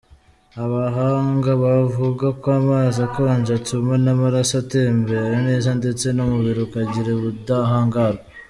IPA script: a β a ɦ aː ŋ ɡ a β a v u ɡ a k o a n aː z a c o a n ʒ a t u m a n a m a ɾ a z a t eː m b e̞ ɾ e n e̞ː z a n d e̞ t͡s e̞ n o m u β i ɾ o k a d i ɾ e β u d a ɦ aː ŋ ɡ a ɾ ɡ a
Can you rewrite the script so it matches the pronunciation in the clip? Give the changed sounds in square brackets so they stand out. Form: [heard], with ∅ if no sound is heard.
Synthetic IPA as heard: a β a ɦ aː ŋ ɡ a β a v u ɡ a k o a [m] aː z a [k] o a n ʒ a t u m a n a m a ɾ a [s] a t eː m b e̞ ɾ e n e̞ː z a n d e̞ t͡s e̞ n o m u β i ɾ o k a [ɟ] i ɾ e β u d a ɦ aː ŋ ɡ a ɾ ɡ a